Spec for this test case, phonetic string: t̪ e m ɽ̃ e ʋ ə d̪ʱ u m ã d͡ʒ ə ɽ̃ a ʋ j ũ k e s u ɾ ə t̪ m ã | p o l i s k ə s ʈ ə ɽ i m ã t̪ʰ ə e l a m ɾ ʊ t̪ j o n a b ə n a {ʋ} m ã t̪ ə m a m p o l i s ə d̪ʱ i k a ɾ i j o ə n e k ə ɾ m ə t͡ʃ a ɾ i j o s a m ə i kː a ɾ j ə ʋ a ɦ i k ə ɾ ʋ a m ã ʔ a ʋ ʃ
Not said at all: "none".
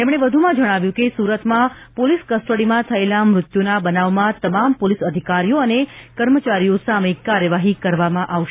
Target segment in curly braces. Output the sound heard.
ʋ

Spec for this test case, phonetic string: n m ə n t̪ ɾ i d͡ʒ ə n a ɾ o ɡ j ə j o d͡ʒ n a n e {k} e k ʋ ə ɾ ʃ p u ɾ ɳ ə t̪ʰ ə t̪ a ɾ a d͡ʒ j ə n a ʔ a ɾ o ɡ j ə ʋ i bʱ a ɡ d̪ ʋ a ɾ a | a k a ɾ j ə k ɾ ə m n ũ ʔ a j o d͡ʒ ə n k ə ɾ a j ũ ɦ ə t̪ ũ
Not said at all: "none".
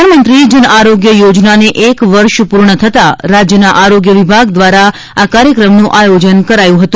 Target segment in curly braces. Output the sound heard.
ʔ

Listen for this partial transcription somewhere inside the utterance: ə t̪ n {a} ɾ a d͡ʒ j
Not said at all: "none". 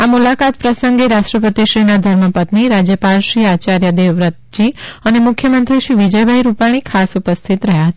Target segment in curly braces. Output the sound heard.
i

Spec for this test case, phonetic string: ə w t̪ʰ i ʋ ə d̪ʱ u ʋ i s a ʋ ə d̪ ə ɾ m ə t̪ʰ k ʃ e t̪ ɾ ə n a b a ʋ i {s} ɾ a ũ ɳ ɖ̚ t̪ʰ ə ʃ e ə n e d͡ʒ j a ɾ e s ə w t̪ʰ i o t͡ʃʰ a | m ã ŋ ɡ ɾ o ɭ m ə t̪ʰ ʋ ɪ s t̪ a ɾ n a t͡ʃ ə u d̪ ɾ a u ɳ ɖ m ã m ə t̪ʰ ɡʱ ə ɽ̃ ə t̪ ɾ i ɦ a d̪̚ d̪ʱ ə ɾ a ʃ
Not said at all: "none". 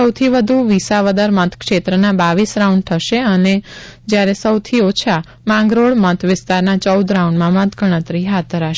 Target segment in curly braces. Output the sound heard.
s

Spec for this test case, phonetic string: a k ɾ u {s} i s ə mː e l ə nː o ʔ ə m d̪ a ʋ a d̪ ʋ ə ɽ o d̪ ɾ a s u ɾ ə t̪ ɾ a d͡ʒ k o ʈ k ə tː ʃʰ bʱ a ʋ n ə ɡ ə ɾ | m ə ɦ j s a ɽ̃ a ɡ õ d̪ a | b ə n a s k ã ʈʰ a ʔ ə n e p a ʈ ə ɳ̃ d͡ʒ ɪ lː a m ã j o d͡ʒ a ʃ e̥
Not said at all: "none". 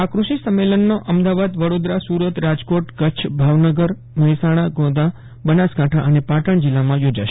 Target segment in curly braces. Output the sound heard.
ʃ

